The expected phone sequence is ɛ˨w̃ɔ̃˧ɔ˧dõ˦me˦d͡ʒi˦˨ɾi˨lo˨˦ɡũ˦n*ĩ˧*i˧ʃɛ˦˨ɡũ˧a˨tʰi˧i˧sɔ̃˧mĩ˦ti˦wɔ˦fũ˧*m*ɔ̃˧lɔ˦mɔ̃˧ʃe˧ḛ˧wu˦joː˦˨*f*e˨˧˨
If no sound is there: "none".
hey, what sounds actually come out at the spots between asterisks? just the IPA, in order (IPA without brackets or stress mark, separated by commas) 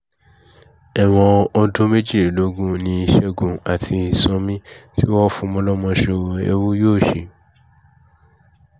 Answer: ĩ˧, m, ʃ